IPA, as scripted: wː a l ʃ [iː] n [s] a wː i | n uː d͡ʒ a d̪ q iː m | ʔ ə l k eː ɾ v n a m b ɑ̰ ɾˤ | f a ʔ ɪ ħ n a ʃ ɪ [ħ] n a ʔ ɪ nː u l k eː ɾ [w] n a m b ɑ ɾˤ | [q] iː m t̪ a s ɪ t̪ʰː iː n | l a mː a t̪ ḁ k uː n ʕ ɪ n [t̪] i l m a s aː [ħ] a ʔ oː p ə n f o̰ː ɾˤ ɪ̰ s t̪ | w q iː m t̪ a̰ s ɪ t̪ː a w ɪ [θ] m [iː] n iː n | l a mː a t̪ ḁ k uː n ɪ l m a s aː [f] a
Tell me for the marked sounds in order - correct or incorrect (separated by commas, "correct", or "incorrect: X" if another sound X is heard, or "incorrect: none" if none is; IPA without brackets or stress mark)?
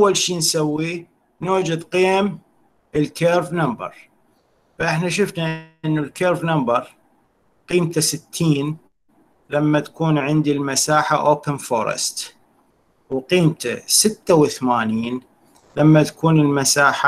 correct, correct, incorrect: f, incorrect: v, correct, incorrect: d̪, correct, correct, incorrect: aː, incorrect: ħ